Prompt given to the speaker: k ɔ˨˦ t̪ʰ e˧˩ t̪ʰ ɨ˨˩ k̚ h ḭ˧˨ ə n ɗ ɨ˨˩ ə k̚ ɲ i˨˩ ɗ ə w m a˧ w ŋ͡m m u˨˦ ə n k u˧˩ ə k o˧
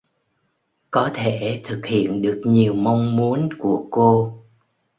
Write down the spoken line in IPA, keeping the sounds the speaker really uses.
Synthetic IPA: k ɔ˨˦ t̪ʰ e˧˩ t̪ʰ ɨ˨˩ k̚ h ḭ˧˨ ə n ɗ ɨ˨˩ ə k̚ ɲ i˨˩ ə w m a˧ w ŋ͡m m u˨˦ ə n k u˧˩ ə k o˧